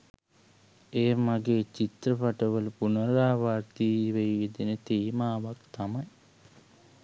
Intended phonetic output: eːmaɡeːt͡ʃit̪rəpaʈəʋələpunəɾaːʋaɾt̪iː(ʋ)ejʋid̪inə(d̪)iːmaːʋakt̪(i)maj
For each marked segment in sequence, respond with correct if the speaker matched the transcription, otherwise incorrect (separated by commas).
correct, incorrect, incorrect